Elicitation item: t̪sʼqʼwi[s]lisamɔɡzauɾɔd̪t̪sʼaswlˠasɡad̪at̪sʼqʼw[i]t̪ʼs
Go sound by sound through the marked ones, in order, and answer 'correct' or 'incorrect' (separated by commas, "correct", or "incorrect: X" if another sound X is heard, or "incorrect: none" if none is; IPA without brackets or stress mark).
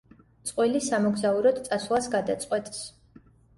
incorrect: none, incorrect: ɛ